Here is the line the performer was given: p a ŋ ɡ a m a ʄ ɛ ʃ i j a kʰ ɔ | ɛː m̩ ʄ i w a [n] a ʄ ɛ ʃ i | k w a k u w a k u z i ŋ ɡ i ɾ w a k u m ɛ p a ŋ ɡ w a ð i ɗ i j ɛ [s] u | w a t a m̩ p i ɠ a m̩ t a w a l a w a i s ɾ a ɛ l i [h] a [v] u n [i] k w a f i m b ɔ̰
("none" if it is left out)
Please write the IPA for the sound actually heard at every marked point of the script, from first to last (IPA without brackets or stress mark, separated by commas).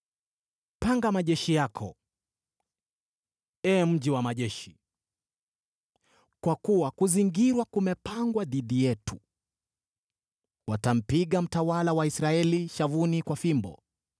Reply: m, t, ʃ, v, i